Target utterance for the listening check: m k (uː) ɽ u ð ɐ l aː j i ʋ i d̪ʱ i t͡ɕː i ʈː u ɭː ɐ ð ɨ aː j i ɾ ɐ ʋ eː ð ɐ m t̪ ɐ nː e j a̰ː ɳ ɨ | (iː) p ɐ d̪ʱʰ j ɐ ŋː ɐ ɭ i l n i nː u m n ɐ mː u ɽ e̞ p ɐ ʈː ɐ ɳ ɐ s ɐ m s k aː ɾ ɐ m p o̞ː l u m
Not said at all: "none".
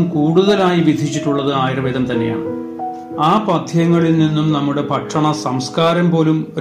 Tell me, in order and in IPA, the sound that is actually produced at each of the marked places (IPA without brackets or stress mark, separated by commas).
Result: uː, aː